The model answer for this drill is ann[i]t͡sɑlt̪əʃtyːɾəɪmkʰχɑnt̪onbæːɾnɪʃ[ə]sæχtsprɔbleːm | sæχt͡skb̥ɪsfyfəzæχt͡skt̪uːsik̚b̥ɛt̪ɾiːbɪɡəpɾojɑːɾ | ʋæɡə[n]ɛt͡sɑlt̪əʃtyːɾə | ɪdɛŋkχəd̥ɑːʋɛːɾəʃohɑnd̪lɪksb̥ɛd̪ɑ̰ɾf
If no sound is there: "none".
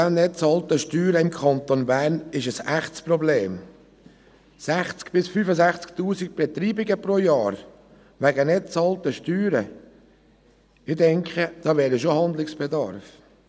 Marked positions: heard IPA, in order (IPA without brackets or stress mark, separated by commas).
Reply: ɛ, ə, n